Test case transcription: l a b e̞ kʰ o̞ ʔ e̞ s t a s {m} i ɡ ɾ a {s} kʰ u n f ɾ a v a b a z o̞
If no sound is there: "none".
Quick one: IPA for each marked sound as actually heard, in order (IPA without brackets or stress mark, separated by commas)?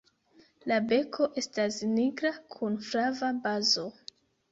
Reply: n, none